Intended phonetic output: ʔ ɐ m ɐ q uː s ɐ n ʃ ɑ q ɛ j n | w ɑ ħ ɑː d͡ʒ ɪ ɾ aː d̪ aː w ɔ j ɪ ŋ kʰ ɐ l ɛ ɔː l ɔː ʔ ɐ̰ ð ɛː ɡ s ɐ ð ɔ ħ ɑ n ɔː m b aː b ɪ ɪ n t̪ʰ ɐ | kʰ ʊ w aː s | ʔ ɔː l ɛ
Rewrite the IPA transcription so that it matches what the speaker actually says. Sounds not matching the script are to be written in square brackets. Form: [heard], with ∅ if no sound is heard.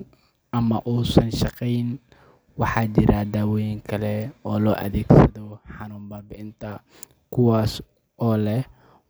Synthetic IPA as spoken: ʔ ɐ m ɐ [ʔ] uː s ɐ n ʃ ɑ q ɛ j n | w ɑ ħ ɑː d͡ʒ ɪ ɾ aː d̪ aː w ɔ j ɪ ŋ kʰ ɐ l ɛ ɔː l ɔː ʔ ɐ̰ ð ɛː ɡ s ɐ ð ɔ ħ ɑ n [uː] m b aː b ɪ ɪ n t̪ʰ ɐ | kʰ ʊ w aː s | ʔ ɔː l ɛ